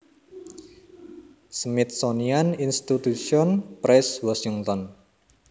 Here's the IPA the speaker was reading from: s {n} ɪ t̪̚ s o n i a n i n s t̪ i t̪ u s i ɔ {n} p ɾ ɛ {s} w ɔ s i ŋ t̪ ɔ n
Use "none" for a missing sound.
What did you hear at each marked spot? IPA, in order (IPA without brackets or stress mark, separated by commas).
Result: m, n, s